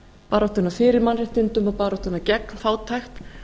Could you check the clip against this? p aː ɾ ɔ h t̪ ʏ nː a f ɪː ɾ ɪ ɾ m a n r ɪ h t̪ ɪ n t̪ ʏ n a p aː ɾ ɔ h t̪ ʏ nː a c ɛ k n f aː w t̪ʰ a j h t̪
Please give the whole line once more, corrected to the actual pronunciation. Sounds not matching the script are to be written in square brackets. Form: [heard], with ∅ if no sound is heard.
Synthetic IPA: p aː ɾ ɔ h t̪ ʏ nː a f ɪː ɾ ɪ ɾ m a n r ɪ h t̪ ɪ n t̪ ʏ [m] a p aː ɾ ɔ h t̪ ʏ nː a c ɛ k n f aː w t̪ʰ a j [x] t̪

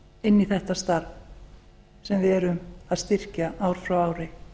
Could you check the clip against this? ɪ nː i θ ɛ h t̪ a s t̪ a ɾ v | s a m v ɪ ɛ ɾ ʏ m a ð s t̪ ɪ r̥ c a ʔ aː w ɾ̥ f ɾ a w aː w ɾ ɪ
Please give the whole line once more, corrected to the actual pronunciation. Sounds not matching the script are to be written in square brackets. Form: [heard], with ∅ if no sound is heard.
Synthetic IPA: ɪ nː i θ ɛ h t̪ a s t̪ a ɾ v | s [ɛ] m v ɪ ɛ ɾ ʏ m a ð s t̪ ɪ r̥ c a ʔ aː w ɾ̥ f ɾ a w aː w ɾ ɪ

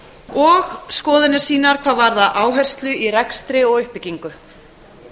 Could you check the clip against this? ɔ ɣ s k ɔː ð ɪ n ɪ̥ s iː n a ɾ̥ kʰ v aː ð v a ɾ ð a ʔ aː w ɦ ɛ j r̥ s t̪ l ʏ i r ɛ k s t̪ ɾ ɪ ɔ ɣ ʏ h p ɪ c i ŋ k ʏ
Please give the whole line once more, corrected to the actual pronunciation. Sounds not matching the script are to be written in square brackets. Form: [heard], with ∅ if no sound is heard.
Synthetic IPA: ɔ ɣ s k ɔː ð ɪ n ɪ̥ s iː n a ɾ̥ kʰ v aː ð v a ɾ ð a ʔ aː w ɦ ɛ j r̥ s t̪ l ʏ i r ɛ k s t̪ ɾ ɪ ɔ ɣ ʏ h p ɪ c i ŋ k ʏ

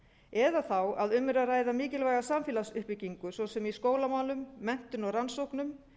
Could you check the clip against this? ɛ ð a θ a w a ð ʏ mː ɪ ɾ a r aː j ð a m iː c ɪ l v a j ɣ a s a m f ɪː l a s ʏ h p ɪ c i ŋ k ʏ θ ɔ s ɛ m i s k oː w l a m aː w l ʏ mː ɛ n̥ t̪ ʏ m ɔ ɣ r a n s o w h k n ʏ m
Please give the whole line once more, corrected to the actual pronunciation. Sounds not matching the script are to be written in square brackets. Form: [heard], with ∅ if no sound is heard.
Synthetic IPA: ɛ ð a θ a w a ð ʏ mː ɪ ɾ a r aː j ð a m iː c ɪ l v a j ɣ a s a m f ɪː l a s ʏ h p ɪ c i ŋ k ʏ [s] ɔ s ɛ m i s k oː w l a m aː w l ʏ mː ɛ n̥ t̪ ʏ [n] ɔ ɣ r a n s o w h k n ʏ m

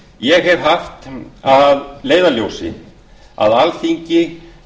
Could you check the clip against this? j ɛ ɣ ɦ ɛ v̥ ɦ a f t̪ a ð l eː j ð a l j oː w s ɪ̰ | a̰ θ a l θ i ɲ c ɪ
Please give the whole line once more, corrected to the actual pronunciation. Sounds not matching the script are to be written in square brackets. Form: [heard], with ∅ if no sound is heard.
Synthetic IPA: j ɛ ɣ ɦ ɛ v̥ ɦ a f t̪ a ð l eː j ð a l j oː w s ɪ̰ | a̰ [ð] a l θ i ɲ c ɪ

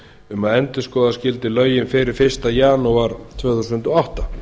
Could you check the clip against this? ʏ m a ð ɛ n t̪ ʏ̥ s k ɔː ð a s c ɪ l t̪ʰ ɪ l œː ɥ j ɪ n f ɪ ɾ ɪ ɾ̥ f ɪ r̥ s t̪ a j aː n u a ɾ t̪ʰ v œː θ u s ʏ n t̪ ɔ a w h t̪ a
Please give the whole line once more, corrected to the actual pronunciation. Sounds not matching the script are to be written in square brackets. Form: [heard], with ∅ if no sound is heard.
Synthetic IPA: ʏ m a ð ɛ n t̪ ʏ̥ s k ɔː ð a s c ɪ l [t̪] ɪ l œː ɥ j ɪ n f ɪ ɾ ɪ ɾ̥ f ɪ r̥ s t̪ a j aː n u a ɾ t̪ʰ v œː θ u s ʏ n t̪ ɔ a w h t̪ a

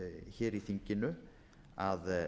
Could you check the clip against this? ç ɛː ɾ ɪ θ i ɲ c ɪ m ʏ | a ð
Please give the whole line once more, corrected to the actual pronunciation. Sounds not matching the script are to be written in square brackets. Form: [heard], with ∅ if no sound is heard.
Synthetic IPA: ç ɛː ɾ [i] θ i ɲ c ɪ [n] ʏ | a ð

